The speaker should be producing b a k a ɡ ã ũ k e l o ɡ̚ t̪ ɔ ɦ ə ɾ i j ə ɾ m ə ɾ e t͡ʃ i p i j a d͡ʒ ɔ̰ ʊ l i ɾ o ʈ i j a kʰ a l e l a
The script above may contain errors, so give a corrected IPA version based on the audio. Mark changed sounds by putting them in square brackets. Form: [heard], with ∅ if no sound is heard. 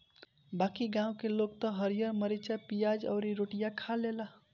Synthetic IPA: b a k [i] ɡ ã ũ k e l o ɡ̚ t̪ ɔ ɦ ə ɾ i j ə ɾ m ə ɾ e t͡ʃ [a] p i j a d͡ʒ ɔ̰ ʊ [ɾ] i ɾ o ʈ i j a kʰ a l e l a